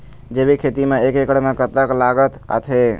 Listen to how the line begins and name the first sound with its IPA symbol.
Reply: d͡ʒ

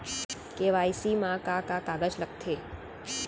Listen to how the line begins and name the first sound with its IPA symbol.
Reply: k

